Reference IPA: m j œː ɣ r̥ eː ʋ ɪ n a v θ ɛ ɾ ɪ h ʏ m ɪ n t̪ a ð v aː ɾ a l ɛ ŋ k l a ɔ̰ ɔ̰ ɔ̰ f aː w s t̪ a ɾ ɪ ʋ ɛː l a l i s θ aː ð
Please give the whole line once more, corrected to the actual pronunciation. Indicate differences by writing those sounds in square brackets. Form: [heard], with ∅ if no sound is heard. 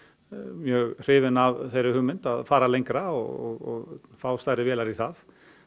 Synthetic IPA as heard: m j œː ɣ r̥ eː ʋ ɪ n a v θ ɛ ɾ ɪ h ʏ m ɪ n t̪ a ð [f] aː ɾ a l ɛ ŋ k [ɾ] a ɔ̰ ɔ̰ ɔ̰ f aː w s t̪ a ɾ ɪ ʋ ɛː l a [ɾ] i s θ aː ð